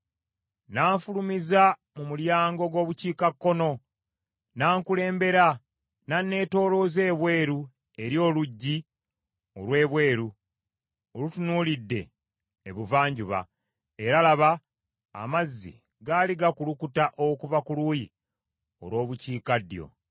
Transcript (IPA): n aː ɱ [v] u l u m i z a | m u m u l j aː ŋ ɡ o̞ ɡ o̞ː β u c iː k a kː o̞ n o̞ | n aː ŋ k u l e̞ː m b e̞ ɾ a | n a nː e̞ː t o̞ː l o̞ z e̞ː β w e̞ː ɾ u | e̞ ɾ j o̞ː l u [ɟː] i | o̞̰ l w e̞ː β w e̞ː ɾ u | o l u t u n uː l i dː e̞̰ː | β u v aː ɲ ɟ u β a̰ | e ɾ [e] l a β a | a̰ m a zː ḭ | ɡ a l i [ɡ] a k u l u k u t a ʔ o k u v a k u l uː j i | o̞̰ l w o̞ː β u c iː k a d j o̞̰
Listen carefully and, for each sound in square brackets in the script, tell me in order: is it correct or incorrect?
incorrect, correct, incorrect, correct

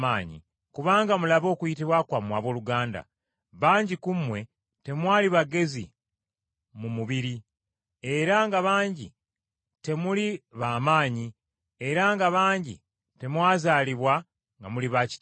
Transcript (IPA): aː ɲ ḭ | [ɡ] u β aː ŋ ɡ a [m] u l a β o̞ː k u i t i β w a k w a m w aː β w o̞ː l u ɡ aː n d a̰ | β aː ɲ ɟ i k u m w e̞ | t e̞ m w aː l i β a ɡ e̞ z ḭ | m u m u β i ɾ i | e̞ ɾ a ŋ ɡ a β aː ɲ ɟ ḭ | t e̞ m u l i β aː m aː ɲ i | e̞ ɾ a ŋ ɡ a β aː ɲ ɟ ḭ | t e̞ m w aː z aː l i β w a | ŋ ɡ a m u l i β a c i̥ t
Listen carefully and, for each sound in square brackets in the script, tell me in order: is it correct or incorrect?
incorrect, correct

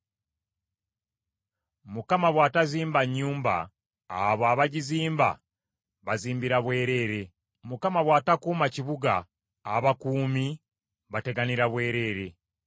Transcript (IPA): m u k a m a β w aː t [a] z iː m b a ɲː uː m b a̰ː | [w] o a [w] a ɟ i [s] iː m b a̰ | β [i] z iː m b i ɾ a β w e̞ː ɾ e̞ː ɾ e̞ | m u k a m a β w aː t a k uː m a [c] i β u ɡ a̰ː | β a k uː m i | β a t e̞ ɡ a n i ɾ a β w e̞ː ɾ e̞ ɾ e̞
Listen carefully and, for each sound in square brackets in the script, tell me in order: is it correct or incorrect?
correct, incorrect, incorrect, incorrect, incorrect, correct

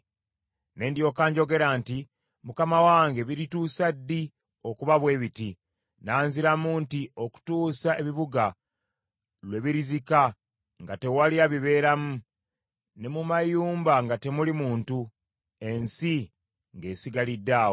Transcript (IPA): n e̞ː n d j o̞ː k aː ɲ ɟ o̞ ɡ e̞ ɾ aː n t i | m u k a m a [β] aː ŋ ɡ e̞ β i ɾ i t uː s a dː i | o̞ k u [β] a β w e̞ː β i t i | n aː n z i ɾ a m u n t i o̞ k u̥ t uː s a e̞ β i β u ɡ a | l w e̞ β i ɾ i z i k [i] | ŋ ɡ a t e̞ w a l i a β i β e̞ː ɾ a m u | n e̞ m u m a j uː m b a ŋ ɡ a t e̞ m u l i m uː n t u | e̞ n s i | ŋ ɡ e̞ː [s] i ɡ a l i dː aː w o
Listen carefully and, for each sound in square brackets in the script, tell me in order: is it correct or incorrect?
incorrect, correct, incorrect, correct

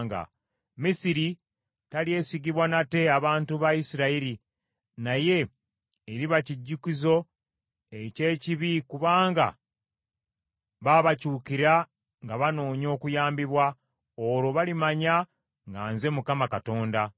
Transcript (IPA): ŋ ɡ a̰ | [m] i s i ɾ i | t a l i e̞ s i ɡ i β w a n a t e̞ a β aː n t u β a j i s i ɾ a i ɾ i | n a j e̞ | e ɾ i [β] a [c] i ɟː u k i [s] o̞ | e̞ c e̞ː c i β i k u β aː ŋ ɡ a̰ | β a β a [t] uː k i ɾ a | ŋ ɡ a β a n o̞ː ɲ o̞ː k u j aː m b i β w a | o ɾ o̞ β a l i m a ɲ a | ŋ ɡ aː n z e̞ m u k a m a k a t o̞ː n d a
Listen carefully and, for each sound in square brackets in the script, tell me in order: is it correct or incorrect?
correct, correct, correct, incorrect, incorrect

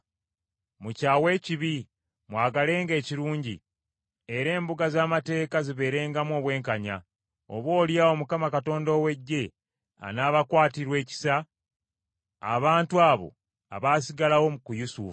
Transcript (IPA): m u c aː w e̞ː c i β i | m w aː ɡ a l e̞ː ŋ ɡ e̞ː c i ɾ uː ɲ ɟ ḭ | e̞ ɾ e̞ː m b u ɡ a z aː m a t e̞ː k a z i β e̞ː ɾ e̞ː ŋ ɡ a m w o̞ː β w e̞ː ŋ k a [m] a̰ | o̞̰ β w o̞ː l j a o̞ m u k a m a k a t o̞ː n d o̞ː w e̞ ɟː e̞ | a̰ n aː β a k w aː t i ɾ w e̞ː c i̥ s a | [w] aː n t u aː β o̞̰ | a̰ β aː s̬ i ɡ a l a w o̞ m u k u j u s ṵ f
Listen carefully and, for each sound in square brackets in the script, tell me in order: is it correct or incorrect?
incorrect, incorrect

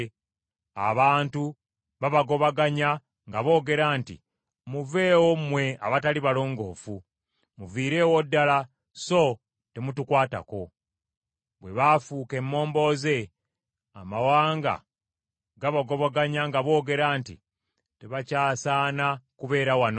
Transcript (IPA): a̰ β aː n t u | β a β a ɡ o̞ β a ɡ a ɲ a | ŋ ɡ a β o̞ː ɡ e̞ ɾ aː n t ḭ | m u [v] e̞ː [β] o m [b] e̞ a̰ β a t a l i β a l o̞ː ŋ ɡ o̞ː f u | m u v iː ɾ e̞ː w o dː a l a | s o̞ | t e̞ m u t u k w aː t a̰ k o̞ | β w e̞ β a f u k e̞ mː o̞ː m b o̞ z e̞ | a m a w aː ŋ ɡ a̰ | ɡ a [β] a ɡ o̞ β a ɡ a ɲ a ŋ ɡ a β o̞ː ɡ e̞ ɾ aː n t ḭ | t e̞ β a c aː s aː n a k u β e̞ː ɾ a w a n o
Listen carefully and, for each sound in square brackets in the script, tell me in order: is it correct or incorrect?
correct, incorrect, incorrect, correct

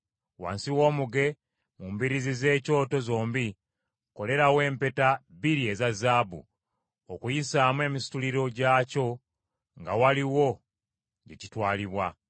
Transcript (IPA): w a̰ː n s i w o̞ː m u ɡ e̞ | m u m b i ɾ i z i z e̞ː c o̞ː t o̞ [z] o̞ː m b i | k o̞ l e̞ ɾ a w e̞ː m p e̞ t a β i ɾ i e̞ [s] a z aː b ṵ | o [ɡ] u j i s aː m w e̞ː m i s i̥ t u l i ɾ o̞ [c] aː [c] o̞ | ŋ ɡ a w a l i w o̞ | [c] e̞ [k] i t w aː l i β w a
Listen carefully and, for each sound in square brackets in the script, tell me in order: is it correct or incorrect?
correct, incorrect, incorrect, incorrect, correct, incorrect, incorrect

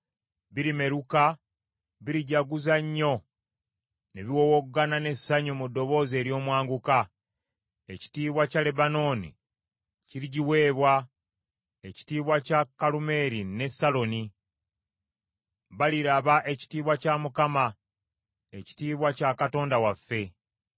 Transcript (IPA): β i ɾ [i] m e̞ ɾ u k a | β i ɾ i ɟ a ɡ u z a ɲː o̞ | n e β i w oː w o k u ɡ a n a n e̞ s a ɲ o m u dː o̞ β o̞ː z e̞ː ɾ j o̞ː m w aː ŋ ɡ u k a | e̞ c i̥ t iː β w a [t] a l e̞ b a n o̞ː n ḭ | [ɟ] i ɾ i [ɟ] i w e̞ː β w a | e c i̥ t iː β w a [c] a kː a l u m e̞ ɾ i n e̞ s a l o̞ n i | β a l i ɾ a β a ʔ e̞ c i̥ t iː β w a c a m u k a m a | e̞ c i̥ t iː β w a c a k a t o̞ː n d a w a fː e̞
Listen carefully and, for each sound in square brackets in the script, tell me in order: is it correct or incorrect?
correct, incorrect, incorrect, correct, correct

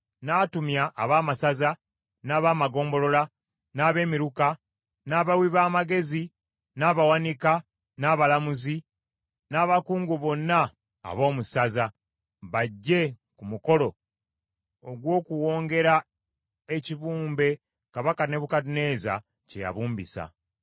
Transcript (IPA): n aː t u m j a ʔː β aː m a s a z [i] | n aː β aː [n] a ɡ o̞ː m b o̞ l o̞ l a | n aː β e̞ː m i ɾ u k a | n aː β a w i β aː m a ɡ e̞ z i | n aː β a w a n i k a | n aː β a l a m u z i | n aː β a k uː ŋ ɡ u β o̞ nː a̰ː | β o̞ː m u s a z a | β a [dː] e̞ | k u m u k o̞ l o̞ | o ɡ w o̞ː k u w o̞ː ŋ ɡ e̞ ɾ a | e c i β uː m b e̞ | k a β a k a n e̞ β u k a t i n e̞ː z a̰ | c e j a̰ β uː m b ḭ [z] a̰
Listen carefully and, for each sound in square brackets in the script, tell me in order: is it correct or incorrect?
incorrect, incorrect, incorrect, incorrect

